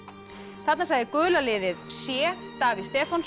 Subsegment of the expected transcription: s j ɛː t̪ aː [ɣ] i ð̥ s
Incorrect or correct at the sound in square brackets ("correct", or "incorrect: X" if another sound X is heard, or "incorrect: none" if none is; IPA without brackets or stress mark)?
incorrect: v